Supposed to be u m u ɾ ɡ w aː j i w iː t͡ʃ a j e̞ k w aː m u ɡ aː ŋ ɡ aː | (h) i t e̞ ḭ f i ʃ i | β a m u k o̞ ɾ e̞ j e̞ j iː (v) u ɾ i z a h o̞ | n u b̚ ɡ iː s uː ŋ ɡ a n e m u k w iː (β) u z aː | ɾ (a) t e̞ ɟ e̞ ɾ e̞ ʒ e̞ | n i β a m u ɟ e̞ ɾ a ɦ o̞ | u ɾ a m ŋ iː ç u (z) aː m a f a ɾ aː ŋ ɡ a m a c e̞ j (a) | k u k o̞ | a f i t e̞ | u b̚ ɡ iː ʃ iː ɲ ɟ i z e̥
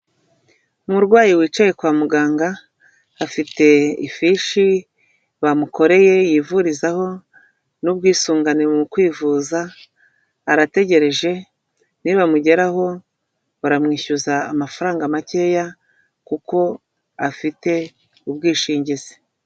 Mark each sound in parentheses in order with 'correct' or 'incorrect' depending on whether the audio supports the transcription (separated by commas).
incorrect, correct, incorrect, correct, correct, correct